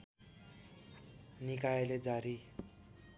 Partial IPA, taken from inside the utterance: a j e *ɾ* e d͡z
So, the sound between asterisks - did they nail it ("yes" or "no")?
no